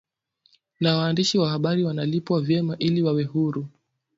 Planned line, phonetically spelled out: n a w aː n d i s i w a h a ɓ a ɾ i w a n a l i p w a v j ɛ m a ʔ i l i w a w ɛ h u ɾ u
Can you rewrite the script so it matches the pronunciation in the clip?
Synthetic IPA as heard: n a w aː n d i ʃ i w a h a ɓ a ɾ i w a n a l i p w a v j ɛ m a ʔ i l i w a w ɛ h u ɾ u